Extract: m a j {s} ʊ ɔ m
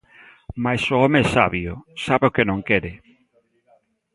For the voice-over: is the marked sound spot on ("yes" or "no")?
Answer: yes